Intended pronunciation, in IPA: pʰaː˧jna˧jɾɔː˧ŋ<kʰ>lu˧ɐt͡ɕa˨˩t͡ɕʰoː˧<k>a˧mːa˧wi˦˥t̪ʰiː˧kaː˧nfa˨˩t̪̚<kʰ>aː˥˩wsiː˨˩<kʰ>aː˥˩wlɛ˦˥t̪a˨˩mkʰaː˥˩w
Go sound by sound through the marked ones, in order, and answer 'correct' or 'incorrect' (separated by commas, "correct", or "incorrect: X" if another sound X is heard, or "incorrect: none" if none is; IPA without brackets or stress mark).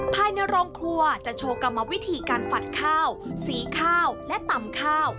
correct, correct, correct, correct